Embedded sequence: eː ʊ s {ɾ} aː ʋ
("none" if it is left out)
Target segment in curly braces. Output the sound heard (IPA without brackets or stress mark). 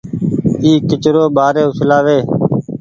l